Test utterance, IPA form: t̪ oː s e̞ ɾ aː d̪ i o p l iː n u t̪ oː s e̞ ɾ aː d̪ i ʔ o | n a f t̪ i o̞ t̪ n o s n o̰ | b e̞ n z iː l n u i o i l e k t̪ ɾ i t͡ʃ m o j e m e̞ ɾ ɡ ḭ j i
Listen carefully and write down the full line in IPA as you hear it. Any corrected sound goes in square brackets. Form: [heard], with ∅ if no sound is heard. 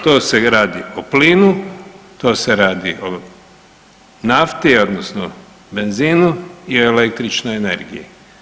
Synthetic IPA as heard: t̪ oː s e̞ ɾ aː d̪ i o p l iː n u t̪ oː s e̞ ɾ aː d̪ i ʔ o | n a f t̪ i o̞ [d̪] n o s n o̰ | b e̞ n z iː [∅] n u i o [e] l e k t̪ ɾ i t͡ʃ [n] o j e [n] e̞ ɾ ɡ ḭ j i